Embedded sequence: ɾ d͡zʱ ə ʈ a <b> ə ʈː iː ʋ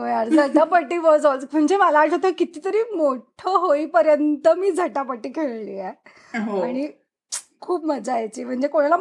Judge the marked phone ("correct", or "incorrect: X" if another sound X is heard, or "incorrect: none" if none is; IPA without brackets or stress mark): incorrect: p